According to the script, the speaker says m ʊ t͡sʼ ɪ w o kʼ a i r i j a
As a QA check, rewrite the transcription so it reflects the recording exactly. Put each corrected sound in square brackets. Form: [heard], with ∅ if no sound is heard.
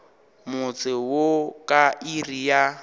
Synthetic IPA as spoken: m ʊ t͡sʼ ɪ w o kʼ a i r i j a